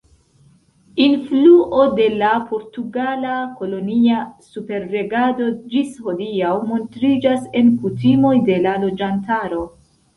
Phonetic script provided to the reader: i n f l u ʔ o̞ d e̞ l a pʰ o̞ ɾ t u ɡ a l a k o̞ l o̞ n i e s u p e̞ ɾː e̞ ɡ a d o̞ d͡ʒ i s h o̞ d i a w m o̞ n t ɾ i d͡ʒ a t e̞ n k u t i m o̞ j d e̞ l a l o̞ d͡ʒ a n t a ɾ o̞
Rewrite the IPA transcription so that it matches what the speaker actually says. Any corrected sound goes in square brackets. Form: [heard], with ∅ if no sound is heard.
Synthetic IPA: i n f l u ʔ o̞ d e̞ l a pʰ o̞ ɾ t u ɡ a l a k o̞ l o̞ n i [a] s u p e̞ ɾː e̞ ɡ a d o̞ d͡ʒ i s h o̞ d i a w m o̞ n t ɾ i d͡ʒ a [s] e̞ n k u t i m o̞ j d e̞ l a l o̞ d͡ʒ a n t a ɾ o̞